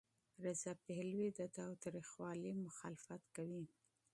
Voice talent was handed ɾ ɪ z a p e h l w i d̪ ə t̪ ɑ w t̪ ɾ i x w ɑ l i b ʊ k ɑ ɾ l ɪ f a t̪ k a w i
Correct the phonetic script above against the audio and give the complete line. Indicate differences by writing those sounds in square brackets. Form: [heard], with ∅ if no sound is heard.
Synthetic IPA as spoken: ɾ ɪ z a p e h l w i d̪ ə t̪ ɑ w t̪ ɾ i x w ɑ l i [m] ʊ [x] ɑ [∅] l ɪ f a t̪ k a w i